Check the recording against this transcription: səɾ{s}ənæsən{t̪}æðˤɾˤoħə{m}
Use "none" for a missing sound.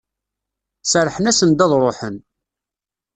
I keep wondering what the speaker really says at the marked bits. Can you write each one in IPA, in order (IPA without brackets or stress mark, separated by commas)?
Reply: ħ, d̪, n